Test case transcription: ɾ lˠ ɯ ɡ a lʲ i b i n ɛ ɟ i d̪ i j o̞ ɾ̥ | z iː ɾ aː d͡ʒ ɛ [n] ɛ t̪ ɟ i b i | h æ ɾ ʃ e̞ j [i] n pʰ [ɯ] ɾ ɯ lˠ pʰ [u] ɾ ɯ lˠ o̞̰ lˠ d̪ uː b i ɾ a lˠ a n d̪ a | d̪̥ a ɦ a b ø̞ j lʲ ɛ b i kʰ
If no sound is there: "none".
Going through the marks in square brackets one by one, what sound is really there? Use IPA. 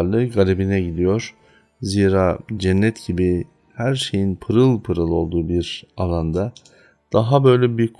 nː, i, ɯ, ɯ

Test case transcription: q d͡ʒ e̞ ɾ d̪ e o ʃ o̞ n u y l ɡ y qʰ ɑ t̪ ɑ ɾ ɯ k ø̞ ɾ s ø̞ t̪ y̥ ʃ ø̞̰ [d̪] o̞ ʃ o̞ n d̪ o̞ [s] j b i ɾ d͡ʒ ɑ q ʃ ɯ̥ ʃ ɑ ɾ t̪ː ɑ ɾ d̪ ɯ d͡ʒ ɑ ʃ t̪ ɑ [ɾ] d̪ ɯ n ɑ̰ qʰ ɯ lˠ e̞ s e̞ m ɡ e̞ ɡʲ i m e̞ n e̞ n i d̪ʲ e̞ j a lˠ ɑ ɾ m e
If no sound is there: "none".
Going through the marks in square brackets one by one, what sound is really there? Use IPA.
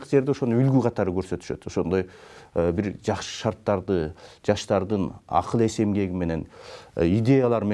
t̪, none, ɾ

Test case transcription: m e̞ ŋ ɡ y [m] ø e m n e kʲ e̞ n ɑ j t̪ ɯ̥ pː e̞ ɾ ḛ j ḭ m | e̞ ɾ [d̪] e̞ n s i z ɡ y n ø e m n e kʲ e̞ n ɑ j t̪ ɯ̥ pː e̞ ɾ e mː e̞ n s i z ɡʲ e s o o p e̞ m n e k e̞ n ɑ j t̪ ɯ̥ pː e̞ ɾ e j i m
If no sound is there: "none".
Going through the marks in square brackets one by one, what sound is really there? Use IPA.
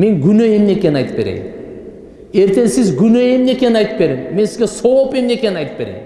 n, t̪

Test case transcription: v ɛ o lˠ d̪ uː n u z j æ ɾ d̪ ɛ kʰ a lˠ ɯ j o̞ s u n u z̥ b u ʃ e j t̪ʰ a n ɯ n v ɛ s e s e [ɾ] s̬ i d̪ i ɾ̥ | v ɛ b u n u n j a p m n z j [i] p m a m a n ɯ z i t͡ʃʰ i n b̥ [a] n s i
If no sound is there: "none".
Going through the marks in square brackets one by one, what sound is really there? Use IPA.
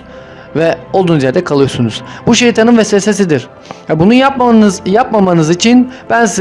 none, a, æ

